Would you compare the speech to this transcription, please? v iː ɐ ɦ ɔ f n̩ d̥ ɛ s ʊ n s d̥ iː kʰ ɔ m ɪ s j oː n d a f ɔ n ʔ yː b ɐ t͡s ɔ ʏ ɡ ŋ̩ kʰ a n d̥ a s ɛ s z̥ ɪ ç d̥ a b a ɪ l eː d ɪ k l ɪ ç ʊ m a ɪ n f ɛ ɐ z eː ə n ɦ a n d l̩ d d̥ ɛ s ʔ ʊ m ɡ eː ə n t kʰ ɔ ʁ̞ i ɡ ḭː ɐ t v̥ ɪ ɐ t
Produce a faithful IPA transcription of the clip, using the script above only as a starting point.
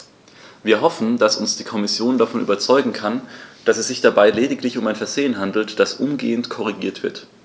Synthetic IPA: v iː ɐ ɦ ɔ f n̩ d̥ a s ʊ n s d̥ iː kʰ ɔ m ɪ s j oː n d a f ɔ n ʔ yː b ɐ t͡s ɔ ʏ ɡ ŋ̩ kʰ a n d̥ a s ɛ s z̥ ɪ ç d̥ a b a ɪ l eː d ɪ k l ɪ ç ʊ m a ɪ n f ɛ ɐ z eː ə n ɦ a n d l̩ t d̥ a s ʔ ʊ m ɡ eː ə n t kʰ ɔ ʁ̞ i ɡ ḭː ɐ t v̥ ɪ ɐ t